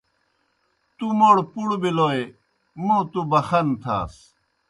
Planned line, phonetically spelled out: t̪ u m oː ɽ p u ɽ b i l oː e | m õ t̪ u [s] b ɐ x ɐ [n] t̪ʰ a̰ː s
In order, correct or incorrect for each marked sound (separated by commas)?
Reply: incorrect, correct